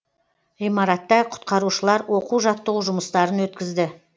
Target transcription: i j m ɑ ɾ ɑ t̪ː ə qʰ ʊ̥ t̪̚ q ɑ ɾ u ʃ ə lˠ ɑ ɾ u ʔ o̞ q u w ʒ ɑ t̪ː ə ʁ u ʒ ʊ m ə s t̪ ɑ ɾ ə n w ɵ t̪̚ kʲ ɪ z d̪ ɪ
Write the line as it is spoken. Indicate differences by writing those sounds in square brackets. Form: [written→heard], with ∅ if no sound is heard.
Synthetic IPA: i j m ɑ ɾ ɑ t̪ː [ə→ɑ] qʰ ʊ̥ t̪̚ q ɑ ɾ u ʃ ə lˠ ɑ ɾ [u→w] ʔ o̞ q u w ʒ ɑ t̪ː ə ʁ u ʒ ʊ m ə s t̪ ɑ ɾ ə n w ɵ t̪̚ kʲ ɪ z d̪ ɪ